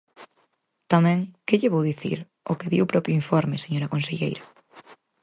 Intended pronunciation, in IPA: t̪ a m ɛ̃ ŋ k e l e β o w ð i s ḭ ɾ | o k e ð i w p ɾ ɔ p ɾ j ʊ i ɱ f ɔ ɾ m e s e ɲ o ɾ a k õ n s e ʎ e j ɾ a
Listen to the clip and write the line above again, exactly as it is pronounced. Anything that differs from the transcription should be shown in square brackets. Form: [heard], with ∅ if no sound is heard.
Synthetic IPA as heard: t̪ a m ɛ̃ ŋ k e [ʎ] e β o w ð i [θ] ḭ ɾ | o k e ð i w p ɾ ɔ p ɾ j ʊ i ɱ f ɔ ɾ m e s e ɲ o ɾ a k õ n s e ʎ e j ɾ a